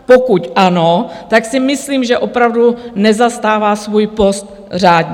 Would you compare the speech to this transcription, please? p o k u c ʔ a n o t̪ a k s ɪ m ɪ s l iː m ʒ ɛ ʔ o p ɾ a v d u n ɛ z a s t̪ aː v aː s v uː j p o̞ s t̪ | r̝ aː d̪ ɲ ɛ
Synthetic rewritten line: p o k u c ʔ a n o t̪ a k s ɪ m ɪ s l iː m ʒ ɛ ʔ o p ɾ a v d u n ɛ z a s t̪ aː v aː s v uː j p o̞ s t̪ | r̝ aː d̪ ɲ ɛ